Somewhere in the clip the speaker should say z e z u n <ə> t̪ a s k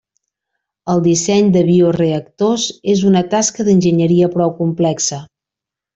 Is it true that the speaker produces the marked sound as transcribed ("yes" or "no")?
yes